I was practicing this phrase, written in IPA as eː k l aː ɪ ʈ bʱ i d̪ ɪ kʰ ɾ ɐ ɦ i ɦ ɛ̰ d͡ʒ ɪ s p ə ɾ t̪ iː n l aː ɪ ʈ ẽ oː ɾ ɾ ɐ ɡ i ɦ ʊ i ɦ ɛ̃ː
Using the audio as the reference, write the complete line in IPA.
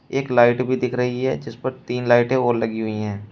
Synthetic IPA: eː k l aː ɪ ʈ bʱ i d̪ ɪ kʰ ɾ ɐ ɦ i ɦ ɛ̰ d͡ʒ ɪ s p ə ɾ t̪ iː n l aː ɪ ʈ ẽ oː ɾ l ɐ ɡ i ɦ ʊ i ɦ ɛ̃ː

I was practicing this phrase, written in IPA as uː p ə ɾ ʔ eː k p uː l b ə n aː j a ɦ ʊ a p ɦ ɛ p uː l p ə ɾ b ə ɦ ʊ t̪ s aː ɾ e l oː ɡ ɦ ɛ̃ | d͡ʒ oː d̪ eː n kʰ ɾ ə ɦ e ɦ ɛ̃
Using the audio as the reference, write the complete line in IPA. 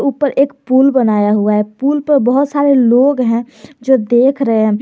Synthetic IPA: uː p ə ɾ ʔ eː k p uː l b ə n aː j a ɦ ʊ a ɦ ɛ p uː l p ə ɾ b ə ɦ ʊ t̪ s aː ɾ e l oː ɡ ɦ ɛ̃ | d͡ʒ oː d̪ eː kʰ ɾ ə ɦ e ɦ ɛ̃

